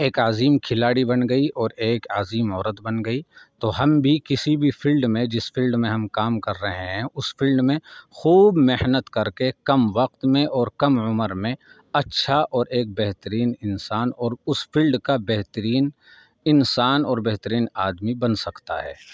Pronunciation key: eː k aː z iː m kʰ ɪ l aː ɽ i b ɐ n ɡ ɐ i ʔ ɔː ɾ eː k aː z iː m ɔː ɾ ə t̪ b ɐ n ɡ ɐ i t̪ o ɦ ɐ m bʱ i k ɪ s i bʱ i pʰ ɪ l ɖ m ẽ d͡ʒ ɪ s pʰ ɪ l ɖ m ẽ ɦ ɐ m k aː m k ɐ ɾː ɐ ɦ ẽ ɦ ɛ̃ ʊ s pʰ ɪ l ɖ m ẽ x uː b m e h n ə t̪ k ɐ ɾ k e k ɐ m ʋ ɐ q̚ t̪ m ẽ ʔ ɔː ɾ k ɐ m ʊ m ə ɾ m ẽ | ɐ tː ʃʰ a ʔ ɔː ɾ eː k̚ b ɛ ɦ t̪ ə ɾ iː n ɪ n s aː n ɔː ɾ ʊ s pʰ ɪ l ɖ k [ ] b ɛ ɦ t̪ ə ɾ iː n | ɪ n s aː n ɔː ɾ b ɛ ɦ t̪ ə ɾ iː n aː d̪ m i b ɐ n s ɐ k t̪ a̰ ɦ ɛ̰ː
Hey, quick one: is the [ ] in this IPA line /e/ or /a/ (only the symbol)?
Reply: a